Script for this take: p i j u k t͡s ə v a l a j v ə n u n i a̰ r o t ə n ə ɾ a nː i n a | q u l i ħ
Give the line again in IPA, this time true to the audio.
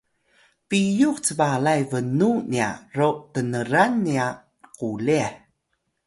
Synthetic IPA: p i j u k t͡s ə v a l a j v ə n u n i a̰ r o t ə n ə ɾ a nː i a | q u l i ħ